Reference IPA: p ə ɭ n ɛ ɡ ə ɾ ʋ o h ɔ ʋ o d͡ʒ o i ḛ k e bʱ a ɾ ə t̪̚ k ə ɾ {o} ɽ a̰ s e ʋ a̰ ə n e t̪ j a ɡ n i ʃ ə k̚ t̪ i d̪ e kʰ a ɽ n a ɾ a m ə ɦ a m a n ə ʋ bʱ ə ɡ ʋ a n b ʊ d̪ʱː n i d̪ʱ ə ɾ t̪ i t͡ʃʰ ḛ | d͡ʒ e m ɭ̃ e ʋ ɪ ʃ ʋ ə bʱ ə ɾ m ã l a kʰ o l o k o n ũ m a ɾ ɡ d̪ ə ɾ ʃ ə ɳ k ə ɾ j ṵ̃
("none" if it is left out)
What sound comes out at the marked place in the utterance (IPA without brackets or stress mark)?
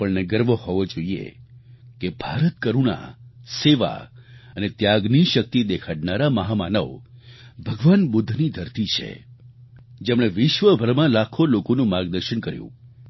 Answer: u